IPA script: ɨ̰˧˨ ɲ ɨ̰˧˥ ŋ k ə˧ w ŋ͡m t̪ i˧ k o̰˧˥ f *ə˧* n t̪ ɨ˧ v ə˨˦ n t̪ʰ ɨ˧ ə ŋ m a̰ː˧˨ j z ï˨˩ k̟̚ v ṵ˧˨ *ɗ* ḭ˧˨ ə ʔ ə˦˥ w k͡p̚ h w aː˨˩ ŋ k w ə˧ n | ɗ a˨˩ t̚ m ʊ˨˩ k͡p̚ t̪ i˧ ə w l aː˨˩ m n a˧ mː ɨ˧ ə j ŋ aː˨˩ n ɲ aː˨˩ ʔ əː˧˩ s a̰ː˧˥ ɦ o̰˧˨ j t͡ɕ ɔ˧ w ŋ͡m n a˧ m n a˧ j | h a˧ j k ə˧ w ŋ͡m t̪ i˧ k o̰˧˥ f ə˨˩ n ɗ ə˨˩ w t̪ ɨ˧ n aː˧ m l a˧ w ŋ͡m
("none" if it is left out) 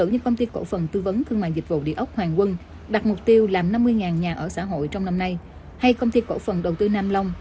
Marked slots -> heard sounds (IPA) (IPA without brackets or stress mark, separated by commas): ə˨˩, ɗ